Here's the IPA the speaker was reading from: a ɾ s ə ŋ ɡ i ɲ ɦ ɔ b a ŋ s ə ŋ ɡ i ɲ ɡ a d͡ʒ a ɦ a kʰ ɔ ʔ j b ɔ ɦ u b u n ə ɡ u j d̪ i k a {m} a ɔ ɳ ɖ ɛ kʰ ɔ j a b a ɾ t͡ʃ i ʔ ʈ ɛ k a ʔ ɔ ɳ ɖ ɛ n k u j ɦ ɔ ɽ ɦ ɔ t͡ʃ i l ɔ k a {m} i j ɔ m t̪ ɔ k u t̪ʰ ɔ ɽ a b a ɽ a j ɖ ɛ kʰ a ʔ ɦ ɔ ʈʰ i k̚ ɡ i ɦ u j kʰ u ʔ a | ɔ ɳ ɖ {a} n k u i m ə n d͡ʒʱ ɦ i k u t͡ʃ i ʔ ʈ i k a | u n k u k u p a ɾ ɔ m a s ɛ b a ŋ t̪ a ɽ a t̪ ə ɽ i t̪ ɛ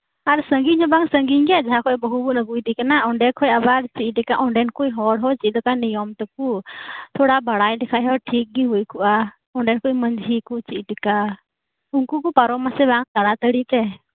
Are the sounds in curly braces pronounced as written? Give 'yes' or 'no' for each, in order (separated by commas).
no, no, no